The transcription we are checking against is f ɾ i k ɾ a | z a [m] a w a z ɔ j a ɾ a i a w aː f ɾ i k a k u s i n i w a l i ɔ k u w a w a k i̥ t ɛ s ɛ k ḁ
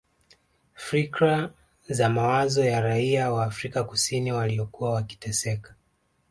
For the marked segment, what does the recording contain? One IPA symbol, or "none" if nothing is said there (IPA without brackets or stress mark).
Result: m